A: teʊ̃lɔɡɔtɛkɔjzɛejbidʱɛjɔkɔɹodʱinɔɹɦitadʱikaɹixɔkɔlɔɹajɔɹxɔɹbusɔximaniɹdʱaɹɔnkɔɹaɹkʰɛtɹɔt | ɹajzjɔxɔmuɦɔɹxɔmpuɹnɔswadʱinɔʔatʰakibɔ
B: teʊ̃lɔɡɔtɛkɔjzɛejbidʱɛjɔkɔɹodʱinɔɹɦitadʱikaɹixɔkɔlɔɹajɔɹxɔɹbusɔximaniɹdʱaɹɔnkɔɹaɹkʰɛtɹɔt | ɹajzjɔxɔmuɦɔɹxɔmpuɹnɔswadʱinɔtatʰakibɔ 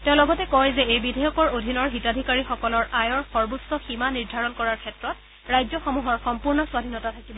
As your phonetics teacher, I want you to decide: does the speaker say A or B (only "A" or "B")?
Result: B